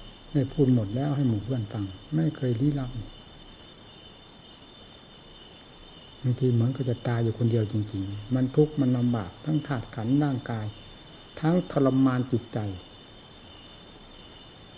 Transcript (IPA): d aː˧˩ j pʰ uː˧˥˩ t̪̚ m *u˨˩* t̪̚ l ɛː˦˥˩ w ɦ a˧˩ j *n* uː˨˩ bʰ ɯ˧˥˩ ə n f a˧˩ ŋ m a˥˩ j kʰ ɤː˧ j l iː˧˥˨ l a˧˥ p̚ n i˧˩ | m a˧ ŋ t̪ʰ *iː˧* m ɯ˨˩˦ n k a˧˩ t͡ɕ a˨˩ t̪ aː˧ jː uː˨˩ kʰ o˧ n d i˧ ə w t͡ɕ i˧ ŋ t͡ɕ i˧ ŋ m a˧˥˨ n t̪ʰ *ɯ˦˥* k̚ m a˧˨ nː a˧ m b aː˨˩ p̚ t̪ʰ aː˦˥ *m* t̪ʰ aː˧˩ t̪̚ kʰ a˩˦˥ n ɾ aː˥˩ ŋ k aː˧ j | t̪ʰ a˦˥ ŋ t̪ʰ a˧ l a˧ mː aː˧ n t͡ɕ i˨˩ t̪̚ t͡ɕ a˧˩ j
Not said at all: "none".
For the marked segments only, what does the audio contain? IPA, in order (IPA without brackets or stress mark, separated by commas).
o˨˩, m, iː˧, u˦˥, ŋ